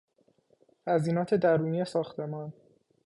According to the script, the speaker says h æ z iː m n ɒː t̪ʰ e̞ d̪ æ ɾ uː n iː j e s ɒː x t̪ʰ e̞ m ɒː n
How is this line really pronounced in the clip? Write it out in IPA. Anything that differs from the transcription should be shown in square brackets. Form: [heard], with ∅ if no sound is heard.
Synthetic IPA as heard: h æ z iː [∅] n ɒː t̪ʰ e̞ d̪ æ ɾ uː n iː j e s ɒː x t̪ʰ e̞ m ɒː n